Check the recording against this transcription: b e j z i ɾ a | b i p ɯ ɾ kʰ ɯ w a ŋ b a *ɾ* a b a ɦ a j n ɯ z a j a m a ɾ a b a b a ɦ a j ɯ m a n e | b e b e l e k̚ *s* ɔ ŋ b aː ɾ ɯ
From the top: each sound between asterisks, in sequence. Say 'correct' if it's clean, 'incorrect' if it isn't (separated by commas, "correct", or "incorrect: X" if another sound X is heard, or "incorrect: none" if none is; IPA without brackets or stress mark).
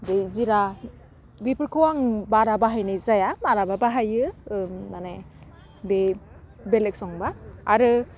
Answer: correct, correct